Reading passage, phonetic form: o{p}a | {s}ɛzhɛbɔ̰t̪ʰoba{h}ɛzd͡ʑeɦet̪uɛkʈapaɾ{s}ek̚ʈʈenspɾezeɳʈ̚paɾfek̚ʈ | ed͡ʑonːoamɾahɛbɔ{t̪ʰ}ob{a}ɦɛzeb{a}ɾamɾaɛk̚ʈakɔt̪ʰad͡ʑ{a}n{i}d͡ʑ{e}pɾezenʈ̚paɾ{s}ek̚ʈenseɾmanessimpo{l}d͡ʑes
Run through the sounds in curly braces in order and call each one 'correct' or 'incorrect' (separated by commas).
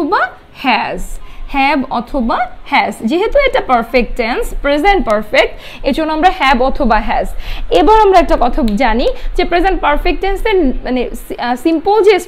incorrect, incorrect, correct, incorrect, correct, correct, correct, correct, correct, correct, incorrect, correct